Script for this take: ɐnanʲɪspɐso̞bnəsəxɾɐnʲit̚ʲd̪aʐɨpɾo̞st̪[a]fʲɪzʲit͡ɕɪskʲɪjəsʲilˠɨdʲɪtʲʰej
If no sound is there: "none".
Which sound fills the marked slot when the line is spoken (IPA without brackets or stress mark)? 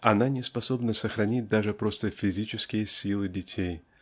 ə